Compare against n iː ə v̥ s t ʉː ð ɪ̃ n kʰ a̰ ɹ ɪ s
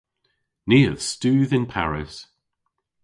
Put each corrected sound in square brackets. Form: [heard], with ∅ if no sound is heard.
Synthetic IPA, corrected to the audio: n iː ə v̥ s t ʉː ð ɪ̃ n [pʰ] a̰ ɹ ɪ s

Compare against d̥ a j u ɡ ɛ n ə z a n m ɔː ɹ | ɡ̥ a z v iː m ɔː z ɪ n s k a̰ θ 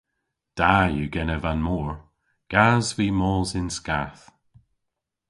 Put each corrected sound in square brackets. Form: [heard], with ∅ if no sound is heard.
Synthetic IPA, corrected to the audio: d̥ a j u ɡ ɛ n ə [v] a n m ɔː ɹ | ɡ̥ a z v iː m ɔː z ɪ n s k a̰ θ

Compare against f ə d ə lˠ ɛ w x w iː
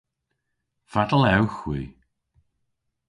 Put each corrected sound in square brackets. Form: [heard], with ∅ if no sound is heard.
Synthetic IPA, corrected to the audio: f [a] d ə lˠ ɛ w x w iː

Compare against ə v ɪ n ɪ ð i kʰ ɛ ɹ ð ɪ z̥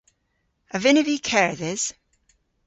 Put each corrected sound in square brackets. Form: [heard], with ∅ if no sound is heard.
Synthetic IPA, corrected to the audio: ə v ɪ n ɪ [v] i kʰ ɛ ɹ ð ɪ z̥

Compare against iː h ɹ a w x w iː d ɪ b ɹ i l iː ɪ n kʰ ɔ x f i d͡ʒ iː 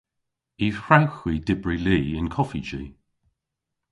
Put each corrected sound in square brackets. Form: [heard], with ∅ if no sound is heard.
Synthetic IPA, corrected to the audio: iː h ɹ a w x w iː d ɪ b ɹ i l iː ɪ n kʰ ɔ [∅] f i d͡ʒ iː

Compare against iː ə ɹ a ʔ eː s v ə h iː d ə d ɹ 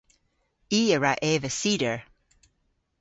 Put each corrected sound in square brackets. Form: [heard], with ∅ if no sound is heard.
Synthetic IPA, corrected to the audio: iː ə ɹ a ʔ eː [∅] v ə [s] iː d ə [∅] ɹ

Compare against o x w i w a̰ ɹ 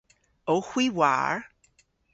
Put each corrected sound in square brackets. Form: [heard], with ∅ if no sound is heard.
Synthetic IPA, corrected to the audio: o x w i w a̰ ɹ

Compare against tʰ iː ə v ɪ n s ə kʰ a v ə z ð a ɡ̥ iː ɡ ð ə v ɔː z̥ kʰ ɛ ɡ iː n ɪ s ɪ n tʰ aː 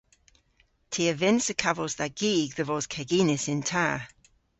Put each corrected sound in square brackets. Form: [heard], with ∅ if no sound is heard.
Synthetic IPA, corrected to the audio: tʰ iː ə v ɪ n s ə kʰ a v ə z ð a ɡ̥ iː ɡ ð ə v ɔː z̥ kʰ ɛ ɡ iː n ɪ s ɪ n tʰ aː

